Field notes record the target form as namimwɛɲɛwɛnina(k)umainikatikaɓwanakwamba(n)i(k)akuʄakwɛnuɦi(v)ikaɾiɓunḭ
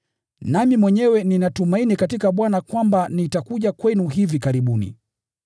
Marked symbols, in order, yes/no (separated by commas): no, yes, no, yes